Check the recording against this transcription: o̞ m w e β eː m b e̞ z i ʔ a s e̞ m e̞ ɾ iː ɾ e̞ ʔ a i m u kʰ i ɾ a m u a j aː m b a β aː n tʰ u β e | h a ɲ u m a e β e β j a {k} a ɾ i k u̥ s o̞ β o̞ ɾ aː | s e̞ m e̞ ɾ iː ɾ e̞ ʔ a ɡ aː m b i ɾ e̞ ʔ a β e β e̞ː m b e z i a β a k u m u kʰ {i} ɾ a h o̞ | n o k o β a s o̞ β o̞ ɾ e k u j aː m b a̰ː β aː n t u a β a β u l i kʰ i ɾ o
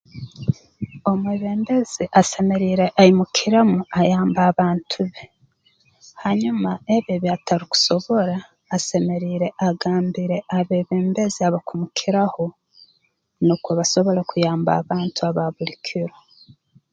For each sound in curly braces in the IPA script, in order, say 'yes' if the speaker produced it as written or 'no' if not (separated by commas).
no, yes